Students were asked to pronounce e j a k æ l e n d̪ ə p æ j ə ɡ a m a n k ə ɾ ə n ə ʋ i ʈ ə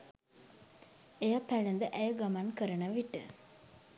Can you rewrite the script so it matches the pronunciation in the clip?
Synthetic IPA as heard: e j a p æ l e n d̪ ə ʔ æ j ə ɡ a m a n k ə ɾ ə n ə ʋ i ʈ ə